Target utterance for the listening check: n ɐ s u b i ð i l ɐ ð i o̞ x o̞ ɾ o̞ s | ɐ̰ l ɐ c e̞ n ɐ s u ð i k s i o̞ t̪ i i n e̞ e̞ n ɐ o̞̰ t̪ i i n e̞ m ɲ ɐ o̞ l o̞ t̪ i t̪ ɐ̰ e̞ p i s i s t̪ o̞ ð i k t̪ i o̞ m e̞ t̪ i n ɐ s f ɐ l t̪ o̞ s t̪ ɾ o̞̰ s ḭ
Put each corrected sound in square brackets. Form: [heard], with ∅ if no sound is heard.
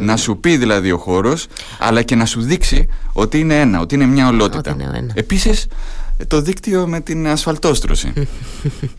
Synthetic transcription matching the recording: n ɐ s u [p] i ð i l ɐ ð i o̞ x o̞ ɾ o̞ s | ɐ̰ l ɐ c e̞ n ɐ s u ð i k s i o̞ t̪ i i n e̞ e̞ n ɐ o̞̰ t̪ i i n e̞ m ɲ ɐ o̞ l o̞ t̪ i t̪ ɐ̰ e̞ p i s i s t̪ o̞ ð i k t̪ i o̞ m e̞ t̪ i n ɐ s f ɐ l t̪ o̞ s t̪ ɾ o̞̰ s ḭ